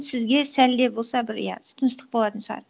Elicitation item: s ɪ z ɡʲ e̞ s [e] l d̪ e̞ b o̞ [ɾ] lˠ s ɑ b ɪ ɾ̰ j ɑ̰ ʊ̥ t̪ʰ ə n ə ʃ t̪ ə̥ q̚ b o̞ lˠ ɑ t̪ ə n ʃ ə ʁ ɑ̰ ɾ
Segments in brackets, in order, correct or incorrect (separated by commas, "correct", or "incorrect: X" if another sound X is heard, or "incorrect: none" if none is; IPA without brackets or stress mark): incorrect: æ, incorrect: none